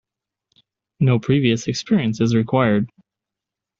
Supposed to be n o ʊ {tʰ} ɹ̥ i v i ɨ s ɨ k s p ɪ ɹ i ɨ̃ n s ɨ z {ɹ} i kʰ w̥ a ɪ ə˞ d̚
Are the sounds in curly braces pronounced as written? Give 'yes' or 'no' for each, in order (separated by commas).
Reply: no, yes